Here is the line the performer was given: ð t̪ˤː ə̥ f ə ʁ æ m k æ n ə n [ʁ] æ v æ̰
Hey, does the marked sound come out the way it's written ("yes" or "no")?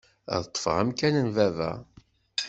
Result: no